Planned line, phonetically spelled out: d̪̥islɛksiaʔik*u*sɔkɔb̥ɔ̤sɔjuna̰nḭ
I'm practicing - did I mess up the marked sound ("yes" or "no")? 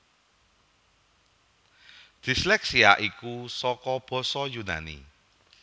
no